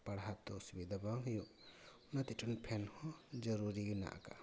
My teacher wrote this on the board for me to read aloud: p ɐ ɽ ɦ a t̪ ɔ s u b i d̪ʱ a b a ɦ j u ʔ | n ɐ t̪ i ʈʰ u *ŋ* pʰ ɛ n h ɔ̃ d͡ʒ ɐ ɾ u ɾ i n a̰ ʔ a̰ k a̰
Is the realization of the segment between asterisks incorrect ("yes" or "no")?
yes